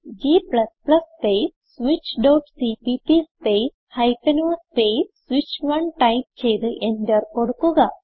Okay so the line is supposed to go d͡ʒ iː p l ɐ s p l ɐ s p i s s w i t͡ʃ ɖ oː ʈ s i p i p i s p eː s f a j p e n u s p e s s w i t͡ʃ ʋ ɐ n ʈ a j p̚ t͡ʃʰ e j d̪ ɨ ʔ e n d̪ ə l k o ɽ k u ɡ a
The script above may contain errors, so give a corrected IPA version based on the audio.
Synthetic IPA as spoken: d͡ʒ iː p l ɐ s p l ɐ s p e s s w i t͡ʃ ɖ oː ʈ s i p i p i s p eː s h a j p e n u s p e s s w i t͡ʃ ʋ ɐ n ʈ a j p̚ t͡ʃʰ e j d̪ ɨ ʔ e n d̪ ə ɾ k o ɽ k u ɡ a